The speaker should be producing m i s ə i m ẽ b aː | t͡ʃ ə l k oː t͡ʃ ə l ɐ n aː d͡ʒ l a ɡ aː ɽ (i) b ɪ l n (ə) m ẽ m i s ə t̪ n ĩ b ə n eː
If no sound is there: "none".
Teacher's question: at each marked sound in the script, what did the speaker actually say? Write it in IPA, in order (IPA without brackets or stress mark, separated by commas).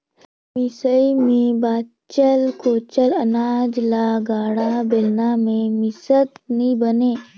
a, a